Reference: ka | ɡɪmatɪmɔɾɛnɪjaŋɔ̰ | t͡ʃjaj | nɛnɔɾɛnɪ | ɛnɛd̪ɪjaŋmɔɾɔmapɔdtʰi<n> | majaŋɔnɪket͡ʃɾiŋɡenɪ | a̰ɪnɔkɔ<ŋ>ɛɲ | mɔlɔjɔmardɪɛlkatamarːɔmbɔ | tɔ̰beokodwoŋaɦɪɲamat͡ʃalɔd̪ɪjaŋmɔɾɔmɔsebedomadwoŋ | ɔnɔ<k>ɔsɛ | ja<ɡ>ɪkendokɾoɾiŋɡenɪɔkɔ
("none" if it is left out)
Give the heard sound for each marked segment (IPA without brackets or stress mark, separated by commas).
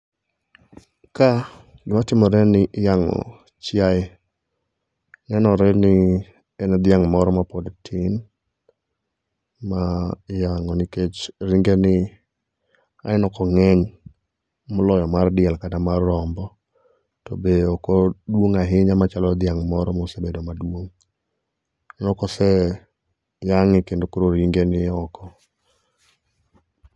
n, ŋ, k, ŋ